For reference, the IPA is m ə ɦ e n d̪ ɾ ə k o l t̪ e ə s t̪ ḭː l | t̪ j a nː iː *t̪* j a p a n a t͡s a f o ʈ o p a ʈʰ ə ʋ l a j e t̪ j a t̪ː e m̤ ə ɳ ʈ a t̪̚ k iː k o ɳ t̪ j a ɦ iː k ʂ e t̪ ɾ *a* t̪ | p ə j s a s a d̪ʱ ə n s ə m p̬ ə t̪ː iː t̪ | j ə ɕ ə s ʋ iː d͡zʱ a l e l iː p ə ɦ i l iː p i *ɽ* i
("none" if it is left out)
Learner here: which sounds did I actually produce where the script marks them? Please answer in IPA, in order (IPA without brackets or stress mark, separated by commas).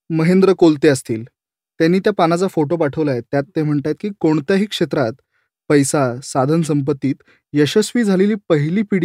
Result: t̪, a, ɽ